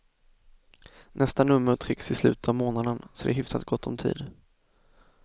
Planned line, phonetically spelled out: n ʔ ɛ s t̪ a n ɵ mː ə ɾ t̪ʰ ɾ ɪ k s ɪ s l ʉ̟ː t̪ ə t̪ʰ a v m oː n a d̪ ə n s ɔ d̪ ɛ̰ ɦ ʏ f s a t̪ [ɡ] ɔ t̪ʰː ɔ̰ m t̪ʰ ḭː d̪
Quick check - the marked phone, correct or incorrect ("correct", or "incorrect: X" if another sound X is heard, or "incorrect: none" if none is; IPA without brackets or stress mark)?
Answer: correct